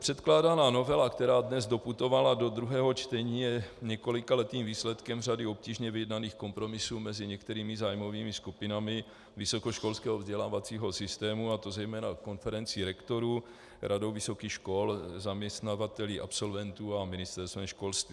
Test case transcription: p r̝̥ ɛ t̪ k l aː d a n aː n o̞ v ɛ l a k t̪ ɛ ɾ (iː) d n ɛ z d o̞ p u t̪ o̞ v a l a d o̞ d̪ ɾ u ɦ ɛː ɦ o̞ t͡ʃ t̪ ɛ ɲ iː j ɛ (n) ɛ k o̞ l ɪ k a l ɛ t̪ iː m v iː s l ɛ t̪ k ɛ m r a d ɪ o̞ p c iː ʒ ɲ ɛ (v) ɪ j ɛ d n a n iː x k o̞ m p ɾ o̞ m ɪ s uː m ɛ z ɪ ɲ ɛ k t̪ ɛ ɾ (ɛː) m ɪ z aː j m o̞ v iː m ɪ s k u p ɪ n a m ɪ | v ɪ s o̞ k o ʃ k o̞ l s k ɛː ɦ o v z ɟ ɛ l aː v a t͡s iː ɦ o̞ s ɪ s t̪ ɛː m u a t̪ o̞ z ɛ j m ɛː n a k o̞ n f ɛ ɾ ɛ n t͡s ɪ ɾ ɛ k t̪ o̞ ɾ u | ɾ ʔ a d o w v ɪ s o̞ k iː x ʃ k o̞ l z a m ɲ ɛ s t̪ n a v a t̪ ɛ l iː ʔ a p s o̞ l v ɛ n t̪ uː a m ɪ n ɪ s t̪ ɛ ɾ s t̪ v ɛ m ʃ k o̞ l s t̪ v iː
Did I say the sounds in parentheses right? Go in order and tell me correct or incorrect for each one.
incorrect: aː, incorrect: ɲ, correct, incorrect: iː

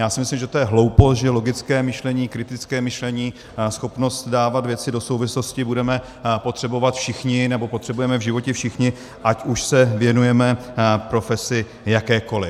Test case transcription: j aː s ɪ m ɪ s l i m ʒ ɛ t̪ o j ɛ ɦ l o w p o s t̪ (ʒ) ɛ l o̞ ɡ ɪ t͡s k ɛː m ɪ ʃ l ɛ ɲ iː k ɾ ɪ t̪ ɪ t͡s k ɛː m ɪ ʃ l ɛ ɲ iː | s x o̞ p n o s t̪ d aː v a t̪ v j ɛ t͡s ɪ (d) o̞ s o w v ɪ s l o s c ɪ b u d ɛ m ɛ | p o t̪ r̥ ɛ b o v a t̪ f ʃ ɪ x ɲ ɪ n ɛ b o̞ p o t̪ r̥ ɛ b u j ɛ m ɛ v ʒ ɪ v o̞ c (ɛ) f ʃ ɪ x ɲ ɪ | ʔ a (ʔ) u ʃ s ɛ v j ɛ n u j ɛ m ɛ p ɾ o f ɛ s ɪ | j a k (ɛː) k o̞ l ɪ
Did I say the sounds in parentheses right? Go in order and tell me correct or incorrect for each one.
correct, correct, correct, incorrect: c, correct

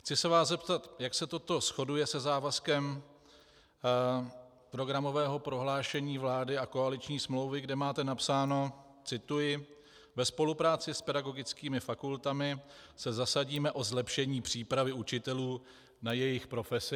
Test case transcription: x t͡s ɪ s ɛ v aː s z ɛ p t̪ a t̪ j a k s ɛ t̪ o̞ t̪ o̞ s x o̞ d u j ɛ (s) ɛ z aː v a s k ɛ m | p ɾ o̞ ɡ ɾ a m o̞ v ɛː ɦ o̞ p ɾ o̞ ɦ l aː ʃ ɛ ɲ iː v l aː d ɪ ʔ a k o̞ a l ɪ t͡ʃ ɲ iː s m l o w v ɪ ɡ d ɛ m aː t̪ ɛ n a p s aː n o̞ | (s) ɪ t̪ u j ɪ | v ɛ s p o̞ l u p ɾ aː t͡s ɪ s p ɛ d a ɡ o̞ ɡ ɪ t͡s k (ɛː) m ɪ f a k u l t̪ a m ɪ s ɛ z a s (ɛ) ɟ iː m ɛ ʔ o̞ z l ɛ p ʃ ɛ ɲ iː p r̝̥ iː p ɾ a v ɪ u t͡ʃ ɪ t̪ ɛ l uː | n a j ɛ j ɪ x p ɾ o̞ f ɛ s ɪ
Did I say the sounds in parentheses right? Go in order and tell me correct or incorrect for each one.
correct, incorrect: t͡s, incorrect: iː, incorrect: a

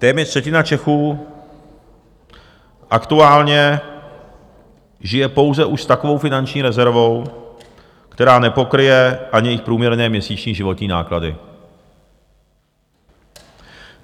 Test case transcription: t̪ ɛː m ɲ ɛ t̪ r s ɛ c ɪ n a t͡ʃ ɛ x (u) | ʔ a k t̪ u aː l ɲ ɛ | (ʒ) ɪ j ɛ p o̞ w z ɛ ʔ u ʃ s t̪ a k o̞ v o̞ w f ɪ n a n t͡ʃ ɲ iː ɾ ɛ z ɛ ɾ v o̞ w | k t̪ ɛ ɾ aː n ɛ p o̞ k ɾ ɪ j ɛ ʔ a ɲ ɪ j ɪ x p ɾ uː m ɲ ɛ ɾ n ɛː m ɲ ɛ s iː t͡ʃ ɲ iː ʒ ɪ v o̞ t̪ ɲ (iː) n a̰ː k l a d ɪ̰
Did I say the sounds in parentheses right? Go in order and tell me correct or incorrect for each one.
incorrect: uː, correct, correct

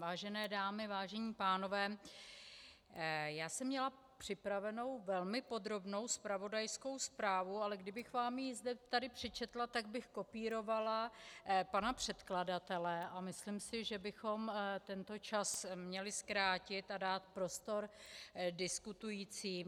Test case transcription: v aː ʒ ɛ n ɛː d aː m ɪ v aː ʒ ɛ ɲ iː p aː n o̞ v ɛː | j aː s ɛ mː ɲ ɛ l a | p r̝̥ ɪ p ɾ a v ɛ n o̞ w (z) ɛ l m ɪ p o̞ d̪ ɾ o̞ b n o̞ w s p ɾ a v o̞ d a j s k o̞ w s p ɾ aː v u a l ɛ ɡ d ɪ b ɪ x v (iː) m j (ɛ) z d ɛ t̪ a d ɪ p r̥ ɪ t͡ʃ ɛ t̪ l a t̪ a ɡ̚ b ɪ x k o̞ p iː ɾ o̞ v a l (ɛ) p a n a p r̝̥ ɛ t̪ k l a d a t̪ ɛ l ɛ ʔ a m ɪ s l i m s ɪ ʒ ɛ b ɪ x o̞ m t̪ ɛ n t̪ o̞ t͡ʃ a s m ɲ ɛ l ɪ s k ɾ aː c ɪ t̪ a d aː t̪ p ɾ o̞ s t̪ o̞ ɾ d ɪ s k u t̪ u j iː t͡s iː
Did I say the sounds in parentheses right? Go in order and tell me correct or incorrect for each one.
incorrect: v, incorrect: aː, incorrect: i, incorrect: a

